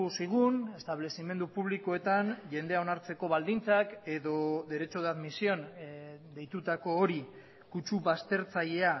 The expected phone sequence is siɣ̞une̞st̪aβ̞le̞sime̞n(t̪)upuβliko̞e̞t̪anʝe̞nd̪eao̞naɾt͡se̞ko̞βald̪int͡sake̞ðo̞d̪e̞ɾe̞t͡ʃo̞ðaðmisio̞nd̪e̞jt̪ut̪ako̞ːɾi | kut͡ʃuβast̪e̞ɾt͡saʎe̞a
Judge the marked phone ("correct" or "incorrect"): incorrect